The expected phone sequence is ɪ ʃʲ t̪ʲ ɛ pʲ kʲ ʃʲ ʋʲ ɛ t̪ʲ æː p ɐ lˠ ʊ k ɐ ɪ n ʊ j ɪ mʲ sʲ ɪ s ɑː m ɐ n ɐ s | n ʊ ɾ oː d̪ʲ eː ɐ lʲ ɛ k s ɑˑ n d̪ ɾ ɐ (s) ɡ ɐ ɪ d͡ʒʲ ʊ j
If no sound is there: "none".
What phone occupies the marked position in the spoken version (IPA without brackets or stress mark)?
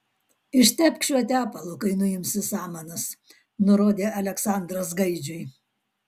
s